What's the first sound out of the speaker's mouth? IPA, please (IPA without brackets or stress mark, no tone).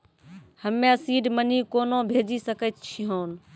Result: h